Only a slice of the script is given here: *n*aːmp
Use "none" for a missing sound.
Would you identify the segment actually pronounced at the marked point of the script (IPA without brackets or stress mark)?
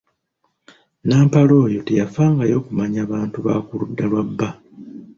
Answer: n